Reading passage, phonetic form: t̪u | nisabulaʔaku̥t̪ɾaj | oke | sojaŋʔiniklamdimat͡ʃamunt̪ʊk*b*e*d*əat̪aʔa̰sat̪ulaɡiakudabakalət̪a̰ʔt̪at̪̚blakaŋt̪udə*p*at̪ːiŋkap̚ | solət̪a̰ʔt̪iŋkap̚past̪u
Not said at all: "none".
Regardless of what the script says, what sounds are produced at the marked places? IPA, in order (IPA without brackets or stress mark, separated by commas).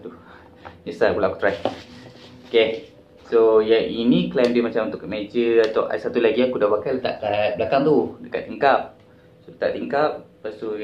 m, d͡ʒ, k